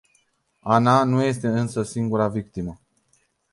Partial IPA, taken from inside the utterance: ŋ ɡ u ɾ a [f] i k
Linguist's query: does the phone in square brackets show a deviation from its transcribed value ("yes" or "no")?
yes